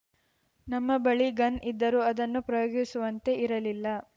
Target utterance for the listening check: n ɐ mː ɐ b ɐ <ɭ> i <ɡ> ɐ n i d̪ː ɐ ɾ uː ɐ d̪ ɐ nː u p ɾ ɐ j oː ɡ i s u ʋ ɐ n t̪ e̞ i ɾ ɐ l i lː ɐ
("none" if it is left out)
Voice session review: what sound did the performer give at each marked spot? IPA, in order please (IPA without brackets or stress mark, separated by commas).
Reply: ɭ, ɡ